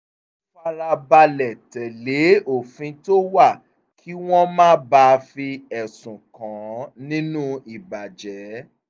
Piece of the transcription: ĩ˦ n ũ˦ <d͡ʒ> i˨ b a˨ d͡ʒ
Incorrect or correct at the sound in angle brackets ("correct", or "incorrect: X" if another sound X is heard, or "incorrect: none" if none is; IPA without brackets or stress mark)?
incorrect: none